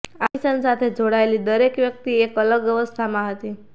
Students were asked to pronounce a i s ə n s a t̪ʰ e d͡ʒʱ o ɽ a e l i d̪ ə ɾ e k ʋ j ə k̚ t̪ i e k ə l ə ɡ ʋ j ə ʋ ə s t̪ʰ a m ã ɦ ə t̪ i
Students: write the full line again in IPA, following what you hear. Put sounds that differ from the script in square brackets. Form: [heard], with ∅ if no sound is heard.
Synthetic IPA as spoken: a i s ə n s a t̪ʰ e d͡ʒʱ o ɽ a e l i d̪ ə ɾ e k ʋ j ə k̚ t̪ i e k ə l ə ɡ ʋ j ə ʋ ə s t̪ʰ a m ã ɦ ə t̪ i